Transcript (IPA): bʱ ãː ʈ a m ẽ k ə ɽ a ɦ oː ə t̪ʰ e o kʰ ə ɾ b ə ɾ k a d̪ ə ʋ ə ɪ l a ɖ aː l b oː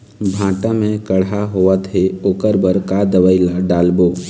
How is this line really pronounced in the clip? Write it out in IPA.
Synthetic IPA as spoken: bʱ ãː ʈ a m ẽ k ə ɽ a ɦ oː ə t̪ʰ e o k ə ɾ b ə ɾ k a d̪ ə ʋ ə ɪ l a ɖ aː l b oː